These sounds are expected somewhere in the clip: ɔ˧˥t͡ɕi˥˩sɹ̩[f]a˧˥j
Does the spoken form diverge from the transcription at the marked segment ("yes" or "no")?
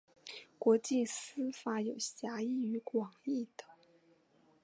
no